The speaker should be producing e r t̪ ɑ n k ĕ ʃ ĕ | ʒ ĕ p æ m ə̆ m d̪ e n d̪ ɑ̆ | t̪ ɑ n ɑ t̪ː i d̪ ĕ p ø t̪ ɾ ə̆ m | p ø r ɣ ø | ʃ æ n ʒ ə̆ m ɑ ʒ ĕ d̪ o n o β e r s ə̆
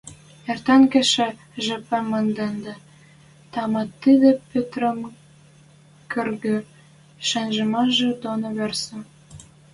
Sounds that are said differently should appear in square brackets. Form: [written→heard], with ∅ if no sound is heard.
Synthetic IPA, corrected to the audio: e r t̪ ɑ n k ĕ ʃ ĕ | ʒ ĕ p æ m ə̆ [m→n] d̪ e n d̪ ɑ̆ | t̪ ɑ [n→m] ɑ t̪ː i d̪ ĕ p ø t̪ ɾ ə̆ m | [p→k] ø r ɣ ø | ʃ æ n ʒ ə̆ m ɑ ʒ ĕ d̪ o n o β e r s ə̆

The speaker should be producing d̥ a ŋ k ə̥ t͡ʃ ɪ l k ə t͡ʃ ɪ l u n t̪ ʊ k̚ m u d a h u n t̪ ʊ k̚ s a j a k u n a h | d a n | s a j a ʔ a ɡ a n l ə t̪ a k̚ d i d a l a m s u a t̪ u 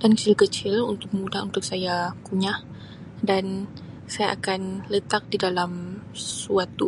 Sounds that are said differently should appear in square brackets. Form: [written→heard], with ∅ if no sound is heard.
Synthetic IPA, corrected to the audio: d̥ a [ŋ→n] k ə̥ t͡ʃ ɪ l k ə t͡ʃ ɪ l u n t̪ ʊ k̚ m u d a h u n t̪ ʊ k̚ s a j a k u [n→ɲ] a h | d a n | s a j a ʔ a [ɡ→k] a n l ə t̪ a k̚ d i d a l a m s u a t̪ u

